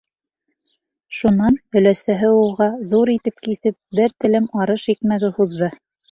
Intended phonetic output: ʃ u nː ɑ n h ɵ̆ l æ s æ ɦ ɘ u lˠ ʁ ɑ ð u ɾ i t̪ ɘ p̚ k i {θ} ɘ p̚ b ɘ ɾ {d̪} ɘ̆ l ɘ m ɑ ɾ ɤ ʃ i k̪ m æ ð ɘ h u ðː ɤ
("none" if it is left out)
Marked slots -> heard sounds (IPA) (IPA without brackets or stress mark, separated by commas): θ, t̪